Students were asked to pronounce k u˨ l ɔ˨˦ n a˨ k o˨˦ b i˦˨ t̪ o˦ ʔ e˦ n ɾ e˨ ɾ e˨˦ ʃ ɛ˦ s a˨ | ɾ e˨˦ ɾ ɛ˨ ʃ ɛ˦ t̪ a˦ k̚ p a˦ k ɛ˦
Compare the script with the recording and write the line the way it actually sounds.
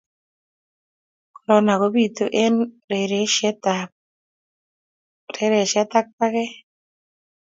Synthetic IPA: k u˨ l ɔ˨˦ n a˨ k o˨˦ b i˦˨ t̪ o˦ ʔ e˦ n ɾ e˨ ɾ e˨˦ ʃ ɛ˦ t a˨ | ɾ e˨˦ ɾ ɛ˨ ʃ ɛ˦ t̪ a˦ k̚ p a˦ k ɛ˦

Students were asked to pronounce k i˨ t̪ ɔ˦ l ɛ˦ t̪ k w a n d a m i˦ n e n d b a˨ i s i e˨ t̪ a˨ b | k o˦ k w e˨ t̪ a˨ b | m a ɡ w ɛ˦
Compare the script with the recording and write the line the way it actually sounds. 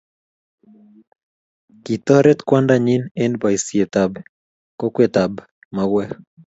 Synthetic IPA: k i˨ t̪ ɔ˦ ɾ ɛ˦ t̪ k w a n d a ɲ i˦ n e n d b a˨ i s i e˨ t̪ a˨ b | k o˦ k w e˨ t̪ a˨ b | m a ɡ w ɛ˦

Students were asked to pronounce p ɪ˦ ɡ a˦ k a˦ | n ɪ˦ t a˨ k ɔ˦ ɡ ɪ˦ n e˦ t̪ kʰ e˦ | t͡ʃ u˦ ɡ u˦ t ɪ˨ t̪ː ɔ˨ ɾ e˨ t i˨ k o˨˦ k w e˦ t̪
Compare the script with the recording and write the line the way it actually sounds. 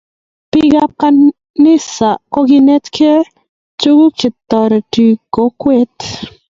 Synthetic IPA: p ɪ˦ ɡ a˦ k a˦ | n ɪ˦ s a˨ k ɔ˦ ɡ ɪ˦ n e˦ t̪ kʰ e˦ | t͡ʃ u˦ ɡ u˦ t͡ʃ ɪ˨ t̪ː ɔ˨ ɾ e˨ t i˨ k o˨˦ k w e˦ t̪

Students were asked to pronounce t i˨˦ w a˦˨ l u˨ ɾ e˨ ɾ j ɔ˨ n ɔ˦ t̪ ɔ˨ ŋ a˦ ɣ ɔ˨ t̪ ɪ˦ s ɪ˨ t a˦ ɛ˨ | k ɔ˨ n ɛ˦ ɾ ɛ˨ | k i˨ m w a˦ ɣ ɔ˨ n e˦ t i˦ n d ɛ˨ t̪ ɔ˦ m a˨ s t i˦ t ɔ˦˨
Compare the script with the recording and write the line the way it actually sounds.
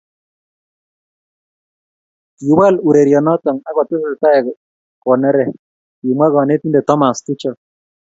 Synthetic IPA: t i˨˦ w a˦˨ l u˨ ɾ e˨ ɾ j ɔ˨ n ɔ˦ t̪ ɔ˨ ŋ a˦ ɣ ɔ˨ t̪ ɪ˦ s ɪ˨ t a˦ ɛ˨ | k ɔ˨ n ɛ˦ ɾ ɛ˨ | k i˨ m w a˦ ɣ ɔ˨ n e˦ t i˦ n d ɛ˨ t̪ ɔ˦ m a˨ s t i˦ t͡ʃ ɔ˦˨

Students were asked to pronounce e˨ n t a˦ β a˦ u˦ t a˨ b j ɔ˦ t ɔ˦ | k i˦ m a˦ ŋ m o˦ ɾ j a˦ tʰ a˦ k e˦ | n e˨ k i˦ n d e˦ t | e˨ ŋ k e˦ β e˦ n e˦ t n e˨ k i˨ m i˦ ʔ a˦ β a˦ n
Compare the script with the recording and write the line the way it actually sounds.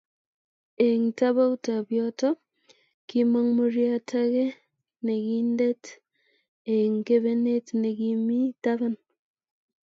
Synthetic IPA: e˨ ŋ t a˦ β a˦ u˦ t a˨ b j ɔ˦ t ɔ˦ | k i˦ m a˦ ŋ m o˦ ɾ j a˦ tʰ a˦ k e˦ | n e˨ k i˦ n d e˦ t | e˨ ŋ k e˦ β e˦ n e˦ t n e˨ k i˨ m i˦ t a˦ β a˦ n

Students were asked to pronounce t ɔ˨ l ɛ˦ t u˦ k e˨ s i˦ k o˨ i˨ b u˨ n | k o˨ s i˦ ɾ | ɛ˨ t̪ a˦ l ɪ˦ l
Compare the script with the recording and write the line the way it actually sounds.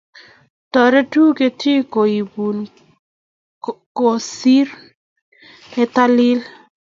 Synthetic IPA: t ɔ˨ ɾ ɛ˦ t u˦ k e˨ t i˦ k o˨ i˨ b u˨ n | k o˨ s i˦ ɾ | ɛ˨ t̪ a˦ l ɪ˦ l

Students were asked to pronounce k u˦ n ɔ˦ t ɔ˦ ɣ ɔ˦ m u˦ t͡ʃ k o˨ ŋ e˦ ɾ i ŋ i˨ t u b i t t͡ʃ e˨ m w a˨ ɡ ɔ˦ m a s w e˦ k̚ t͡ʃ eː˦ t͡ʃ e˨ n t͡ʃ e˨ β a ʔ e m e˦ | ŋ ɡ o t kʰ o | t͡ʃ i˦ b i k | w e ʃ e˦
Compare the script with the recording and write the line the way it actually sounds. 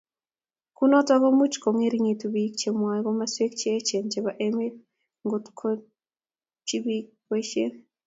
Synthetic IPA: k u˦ n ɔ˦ t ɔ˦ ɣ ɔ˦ m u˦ t͡ʃ k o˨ ŋ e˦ ɾ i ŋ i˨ t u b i k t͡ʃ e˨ m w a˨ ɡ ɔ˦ m a s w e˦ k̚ t͡ʃ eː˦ t͡ʃ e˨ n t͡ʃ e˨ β a ʔ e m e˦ | ŋ ɡ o t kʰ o | t͡ʃ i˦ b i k | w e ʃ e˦

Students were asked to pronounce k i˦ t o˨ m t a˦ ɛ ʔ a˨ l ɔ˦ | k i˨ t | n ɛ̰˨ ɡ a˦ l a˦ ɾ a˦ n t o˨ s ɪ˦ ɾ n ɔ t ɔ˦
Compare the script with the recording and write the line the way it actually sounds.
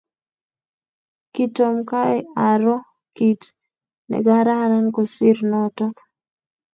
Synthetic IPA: k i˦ t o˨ m k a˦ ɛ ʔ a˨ ɾ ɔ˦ | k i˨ t | n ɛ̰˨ ɡ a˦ ɾ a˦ ɾ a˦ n k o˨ s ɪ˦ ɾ n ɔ t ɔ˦

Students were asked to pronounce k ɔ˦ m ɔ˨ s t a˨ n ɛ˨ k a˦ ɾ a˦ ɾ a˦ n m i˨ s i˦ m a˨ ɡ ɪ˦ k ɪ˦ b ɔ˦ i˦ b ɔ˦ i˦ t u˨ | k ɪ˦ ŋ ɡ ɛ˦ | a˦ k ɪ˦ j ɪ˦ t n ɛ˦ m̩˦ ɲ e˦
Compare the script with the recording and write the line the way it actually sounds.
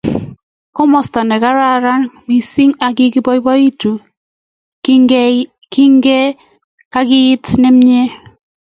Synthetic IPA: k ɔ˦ m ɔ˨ s t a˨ n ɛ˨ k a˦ ɾ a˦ ɾ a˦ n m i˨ s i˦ ŋ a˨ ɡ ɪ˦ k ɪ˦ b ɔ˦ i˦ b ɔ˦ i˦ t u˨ | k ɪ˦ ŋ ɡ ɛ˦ | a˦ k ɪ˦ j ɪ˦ t n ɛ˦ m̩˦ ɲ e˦

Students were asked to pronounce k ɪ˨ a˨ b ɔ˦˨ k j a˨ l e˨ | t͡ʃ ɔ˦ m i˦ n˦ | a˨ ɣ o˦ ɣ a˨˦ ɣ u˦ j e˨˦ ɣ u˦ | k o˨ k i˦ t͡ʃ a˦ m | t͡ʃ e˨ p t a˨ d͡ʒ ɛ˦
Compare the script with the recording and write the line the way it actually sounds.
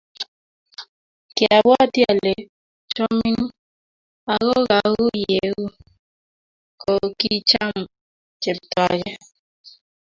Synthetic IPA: k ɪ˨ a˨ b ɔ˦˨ t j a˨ l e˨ | t͡ʃ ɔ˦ m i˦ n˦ | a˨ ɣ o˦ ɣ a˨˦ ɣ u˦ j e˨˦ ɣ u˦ | k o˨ k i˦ t͡ʃ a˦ m | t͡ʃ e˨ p t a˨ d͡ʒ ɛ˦

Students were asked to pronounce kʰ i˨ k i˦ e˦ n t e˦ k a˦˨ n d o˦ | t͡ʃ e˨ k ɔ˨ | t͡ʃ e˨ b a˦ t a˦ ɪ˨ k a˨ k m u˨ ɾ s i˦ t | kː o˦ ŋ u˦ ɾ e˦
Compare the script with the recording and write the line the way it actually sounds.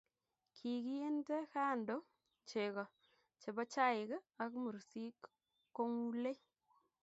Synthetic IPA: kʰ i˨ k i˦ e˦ n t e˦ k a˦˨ n d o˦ | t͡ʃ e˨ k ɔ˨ | t͡ʃ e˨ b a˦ t͡ʃ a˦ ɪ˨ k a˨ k m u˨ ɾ s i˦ k | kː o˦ ŋ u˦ l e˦

